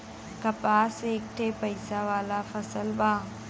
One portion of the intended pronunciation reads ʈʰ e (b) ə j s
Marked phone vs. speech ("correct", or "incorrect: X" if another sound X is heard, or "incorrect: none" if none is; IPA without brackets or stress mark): incorrect: p